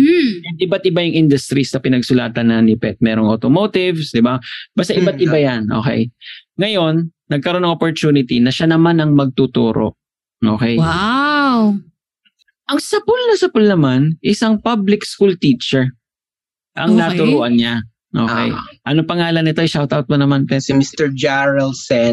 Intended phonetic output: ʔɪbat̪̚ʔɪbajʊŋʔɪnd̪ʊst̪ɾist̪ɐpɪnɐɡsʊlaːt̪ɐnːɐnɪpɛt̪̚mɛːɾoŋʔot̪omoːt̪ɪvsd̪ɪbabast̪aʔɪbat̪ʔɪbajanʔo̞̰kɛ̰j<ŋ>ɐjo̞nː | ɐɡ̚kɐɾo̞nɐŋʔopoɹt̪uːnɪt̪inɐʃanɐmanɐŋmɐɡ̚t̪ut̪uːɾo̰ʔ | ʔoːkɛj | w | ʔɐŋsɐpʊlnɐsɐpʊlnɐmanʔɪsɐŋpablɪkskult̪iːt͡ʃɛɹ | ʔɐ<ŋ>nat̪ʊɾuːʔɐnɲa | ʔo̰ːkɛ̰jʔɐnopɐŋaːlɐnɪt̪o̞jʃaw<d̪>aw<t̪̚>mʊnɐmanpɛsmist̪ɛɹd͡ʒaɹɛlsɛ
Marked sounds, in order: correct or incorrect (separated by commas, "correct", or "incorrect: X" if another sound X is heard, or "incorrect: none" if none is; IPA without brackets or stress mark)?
correct, correct, incorrect: t̪, correct